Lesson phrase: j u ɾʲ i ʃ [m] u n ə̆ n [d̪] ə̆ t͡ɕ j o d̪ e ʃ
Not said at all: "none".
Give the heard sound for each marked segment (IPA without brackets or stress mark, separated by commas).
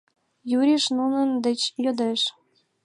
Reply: n, d̪